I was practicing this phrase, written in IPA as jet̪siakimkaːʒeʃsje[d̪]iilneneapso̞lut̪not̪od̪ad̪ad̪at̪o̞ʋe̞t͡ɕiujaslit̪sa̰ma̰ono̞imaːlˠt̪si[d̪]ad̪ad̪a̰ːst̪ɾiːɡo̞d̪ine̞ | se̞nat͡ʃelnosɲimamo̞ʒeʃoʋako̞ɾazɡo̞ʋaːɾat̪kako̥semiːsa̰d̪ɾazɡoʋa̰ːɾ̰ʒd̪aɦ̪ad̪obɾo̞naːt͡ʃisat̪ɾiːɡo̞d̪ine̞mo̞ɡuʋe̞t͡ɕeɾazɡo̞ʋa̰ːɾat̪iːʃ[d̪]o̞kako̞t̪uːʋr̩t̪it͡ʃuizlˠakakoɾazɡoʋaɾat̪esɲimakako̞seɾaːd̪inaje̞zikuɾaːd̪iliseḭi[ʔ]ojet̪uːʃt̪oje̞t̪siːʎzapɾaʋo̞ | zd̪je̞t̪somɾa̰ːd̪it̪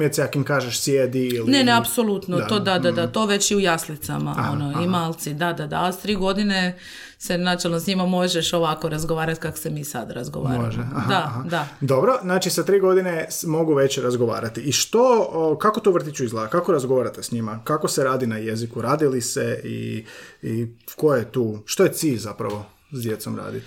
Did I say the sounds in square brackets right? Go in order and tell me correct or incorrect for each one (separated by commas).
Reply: correct, correct, incorrect, incorrect